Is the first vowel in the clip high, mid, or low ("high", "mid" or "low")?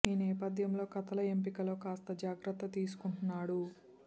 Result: high